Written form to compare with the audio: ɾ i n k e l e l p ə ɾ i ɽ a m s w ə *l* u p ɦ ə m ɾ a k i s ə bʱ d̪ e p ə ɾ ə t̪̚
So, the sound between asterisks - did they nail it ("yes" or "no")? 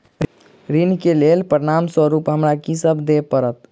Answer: no